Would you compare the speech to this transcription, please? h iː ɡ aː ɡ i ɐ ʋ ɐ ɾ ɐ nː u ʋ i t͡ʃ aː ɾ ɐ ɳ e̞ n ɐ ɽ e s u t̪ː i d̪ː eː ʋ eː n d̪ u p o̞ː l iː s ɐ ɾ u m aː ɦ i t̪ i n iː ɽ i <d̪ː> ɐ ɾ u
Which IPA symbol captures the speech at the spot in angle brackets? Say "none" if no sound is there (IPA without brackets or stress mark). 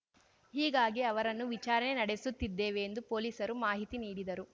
d̪